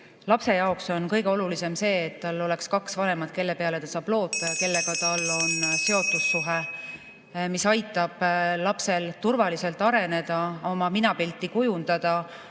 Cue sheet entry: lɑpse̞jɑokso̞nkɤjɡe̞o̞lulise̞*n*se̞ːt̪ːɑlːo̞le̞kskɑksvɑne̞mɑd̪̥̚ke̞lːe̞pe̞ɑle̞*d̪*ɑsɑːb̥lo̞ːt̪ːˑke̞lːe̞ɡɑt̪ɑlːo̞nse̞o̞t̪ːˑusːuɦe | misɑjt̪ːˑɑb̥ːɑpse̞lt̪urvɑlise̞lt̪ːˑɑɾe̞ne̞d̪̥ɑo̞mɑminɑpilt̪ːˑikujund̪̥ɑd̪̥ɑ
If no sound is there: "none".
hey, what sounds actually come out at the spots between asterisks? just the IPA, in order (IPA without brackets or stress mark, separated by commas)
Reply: m, t̪